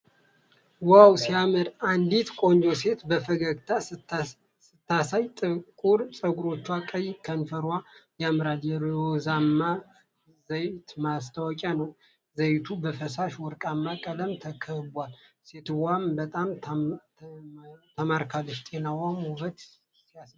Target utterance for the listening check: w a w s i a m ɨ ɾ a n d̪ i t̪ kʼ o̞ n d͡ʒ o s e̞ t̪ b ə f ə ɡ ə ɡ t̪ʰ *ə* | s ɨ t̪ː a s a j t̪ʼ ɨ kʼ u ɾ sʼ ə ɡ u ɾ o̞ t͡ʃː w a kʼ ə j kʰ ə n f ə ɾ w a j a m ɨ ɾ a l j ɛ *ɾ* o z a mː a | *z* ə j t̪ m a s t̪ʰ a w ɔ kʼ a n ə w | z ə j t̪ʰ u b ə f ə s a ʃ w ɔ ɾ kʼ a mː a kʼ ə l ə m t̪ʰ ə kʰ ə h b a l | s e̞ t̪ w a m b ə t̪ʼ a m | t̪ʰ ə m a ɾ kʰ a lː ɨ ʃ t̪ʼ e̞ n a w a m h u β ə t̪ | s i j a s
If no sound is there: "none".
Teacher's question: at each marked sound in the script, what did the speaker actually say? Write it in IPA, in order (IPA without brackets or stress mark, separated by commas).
a, ɾ, z